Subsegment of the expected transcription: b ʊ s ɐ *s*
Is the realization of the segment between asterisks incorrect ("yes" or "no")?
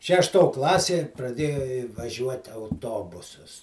no